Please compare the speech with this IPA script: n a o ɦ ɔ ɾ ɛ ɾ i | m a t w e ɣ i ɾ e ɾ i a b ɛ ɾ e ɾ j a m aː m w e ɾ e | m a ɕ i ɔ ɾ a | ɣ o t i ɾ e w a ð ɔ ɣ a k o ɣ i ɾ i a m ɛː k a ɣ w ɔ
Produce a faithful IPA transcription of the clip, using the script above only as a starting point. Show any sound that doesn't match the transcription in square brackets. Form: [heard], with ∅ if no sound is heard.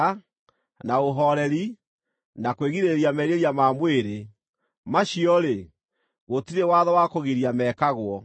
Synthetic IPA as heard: n a o ɦ ɔ ɾ ɛ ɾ i | [n] a [k] w e ɣ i ɾ e ɾ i a [m] ɛ ɾ e ɾ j a m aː m w e ɾ e | m a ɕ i ɔ ɾ [e] | ɣ o t i ɾ e w a ð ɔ [w] a k o ɣ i ɾ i a m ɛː k a ɣ w ɔ